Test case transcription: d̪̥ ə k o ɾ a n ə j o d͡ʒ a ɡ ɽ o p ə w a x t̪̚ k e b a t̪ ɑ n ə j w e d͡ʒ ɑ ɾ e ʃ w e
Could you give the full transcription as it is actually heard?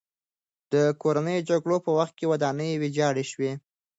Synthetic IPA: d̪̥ ə k o ɾ a n ə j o d͡ʒ a ɡ ɽ o p ə w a x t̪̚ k e w a d̪ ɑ n ə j w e d͡ʒ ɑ ɽ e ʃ w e